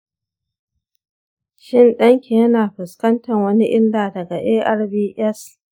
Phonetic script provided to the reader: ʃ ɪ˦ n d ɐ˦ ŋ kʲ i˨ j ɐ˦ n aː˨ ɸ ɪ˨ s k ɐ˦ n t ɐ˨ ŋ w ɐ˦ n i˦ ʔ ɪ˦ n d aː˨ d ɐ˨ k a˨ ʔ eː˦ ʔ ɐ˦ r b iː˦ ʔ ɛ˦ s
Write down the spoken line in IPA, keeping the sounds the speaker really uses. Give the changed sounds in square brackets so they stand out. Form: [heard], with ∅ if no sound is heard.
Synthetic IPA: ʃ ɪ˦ n [ɗ] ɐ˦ ŋ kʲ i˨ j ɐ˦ n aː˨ ɸ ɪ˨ s k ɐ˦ n t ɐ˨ ŋ w ɐ˦ n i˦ ʔ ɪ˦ n d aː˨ d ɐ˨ [ɡ] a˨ ʔ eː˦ ʔ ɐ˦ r b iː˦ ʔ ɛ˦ s